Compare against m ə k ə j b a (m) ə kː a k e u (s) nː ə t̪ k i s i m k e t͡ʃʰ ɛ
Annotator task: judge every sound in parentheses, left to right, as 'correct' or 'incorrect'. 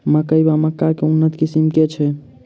correct, incorrect

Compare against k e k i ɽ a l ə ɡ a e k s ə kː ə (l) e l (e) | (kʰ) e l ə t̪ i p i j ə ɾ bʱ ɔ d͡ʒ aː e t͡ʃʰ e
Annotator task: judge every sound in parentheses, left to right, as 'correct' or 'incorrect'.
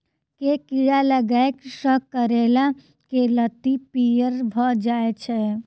incorrect, incorrect, incorrect

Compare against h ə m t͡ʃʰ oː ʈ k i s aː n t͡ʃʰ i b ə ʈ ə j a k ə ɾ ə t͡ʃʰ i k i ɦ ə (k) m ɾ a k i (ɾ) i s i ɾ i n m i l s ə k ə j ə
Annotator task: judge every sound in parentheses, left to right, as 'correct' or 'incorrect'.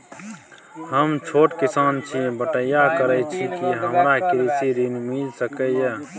incorrect, correct

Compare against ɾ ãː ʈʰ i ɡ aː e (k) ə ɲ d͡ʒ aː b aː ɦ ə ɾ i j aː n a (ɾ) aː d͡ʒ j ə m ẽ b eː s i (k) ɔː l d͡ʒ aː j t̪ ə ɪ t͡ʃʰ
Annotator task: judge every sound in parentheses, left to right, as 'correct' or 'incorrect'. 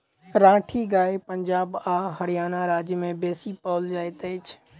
incorrect, correct, incorrect

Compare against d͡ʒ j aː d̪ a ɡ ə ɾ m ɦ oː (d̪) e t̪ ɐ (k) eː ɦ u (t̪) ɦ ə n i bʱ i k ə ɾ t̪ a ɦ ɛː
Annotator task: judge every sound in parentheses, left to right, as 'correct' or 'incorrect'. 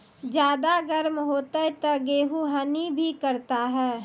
incorrect, incorrect, incorrect

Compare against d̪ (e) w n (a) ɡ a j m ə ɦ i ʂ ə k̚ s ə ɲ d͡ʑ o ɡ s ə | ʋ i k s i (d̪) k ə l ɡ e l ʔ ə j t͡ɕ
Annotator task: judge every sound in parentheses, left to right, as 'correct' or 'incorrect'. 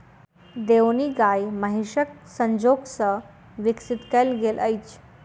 correct, incorrect, incorrect

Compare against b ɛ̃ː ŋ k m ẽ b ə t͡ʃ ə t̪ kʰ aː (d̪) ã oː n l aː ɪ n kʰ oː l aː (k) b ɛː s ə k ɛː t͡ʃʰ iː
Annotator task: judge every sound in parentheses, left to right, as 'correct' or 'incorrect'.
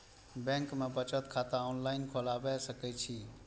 incorrect, incorrect

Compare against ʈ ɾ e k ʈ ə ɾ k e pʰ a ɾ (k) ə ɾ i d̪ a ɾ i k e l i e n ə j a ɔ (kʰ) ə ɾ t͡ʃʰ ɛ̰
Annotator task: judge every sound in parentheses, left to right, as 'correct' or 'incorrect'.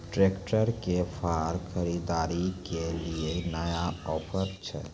incorrect, incorrect

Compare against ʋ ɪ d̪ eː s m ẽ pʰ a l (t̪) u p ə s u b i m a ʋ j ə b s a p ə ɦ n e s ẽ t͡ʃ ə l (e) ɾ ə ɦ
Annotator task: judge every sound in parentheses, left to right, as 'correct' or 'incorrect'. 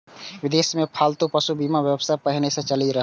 correct, incorrect

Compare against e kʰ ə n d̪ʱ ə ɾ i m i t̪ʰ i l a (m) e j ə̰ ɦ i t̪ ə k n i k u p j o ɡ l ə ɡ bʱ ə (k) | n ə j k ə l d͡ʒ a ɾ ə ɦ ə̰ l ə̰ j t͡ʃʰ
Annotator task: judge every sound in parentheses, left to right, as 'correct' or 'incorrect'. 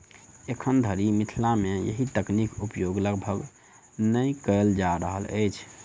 correct, incorrect

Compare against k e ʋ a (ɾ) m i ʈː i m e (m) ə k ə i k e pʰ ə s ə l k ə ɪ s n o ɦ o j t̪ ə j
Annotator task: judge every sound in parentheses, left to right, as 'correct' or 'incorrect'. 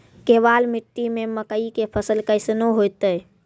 incorrect, correct

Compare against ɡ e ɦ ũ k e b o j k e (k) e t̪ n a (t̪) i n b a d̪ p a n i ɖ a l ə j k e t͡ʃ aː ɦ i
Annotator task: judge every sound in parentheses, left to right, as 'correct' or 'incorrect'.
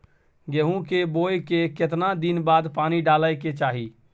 correct, incorrect

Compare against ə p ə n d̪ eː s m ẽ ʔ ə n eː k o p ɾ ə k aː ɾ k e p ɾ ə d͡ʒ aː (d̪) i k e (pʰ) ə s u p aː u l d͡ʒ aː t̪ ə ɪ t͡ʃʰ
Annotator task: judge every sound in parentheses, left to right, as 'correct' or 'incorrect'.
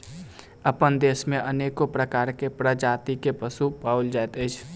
incorrect, incorrect

